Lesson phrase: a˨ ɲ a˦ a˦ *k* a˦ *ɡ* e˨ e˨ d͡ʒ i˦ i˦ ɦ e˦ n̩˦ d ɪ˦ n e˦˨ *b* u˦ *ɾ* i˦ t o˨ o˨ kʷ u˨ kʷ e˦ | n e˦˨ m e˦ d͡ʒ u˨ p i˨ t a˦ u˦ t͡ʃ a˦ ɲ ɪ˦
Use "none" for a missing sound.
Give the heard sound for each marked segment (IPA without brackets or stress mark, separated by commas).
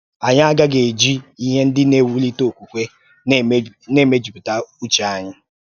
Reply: ɡ, ɡ, w, l